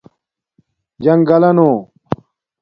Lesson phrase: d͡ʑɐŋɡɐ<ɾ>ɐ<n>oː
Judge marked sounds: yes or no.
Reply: no, yes

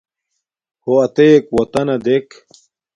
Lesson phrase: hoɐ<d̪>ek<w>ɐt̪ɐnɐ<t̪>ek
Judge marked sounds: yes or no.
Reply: no, yes, no

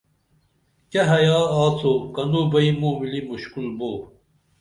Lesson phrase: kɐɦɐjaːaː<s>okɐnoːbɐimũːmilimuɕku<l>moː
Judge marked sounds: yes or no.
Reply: no, yes

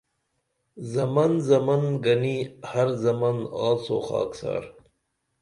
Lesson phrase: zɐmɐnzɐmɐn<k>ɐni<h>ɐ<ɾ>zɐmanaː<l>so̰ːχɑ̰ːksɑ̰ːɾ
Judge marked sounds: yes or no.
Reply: no, yes, yes, yes

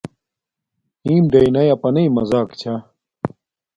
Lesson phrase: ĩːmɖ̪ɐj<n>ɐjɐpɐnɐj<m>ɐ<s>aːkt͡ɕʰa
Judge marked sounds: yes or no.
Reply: yes, yes, no

